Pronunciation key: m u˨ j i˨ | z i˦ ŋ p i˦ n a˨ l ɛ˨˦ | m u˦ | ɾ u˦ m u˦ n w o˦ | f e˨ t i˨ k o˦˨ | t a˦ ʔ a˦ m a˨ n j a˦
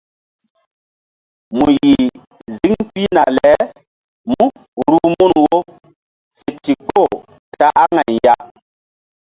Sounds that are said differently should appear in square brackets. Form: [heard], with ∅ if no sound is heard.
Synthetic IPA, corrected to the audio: m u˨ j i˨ | z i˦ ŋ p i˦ n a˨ l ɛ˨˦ | m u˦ | ɾ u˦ m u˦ n w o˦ | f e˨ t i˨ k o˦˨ | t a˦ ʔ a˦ [ŋ] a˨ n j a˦